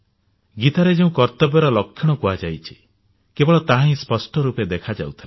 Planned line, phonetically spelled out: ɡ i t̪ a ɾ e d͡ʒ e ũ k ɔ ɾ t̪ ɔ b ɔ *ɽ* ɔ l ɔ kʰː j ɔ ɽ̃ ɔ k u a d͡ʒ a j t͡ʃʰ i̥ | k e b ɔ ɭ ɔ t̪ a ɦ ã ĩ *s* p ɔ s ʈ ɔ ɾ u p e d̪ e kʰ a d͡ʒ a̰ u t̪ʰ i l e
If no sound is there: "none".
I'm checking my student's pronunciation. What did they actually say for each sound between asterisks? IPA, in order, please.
ɾ, s

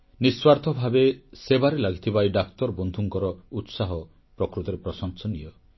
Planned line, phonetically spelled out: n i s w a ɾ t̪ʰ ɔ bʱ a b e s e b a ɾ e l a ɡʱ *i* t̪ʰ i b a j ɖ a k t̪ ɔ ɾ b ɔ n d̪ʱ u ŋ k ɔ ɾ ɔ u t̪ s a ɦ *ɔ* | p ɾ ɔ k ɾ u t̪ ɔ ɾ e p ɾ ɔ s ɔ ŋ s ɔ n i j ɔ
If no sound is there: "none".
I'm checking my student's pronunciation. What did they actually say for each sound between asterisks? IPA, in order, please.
i, ɔ

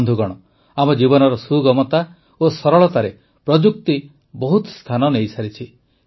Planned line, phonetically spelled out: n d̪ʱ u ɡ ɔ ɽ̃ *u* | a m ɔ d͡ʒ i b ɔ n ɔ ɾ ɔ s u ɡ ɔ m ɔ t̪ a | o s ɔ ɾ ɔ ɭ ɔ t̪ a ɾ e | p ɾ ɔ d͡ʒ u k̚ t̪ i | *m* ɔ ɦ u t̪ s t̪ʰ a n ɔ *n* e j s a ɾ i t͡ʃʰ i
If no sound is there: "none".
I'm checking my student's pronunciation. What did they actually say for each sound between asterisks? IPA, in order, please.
ɔ, b, n

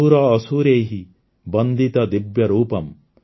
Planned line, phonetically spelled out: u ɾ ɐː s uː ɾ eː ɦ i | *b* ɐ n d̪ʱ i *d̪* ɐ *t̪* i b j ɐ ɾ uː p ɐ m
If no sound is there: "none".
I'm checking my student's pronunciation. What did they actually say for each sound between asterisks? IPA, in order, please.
b, t̪, d̪

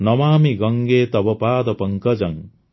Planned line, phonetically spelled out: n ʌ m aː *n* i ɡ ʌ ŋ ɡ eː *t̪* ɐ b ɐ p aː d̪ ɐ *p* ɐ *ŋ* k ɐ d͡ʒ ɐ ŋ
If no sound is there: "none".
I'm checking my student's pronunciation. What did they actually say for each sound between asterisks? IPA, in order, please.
m, t̪, p, ŋ

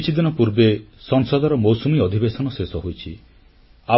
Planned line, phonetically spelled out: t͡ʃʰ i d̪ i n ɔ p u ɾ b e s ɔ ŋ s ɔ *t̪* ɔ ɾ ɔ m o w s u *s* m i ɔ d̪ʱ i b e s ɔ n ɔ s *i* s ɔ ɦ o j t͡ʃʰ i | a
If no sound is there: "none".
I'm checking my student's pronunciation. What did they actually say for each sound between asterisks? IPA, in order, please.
d̪, none, e

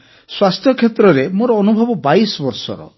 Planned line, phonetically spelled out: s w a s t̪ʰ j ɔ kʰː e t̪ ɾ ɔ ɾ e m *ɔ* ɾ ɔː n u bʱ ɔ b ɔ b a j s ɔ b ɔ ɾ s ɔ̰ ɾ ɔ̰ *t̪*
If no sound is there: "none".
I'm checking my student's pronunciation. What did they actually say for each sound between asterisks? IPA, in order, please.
o, none

